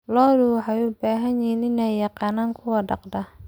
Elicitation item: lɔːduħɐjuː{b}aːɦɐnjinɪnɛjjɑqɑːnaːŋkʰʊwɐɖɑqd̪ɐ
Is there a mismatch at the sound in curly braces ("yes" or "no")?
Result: no